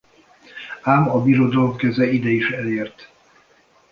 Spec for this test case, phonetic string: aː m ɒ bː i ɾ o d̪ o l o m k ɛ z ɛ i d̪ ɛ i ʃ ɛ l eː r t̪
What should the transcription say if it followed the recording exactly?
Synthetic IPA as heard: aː m ɒ b i ɾ o d̪ ɒ l o m k ɛ z ɛ i d̪ ɛ i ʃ ɛ l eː r t̪